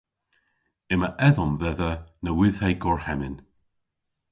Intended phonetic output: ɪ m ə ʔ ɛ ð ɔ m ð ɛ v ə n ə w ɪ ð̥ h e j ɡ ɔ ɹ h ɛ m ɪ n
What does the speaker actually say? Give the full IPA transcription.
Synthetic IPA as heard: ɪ m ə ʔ ɛ ð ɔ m v ɛ ð ə n ə w ɪ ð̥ h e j ɡ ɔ ɹ h ɛ m ɪ n